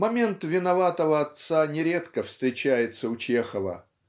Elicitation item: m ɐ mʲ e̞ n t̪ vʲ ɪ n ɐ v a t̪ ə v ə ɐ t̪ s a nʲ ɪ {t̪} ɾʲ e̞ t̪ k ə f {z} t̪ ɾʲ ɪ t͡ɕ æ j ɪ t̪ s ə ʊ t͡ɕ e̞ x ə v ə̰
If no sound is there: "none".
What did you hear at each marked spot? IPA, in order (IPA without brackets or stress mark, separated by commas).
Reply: none, s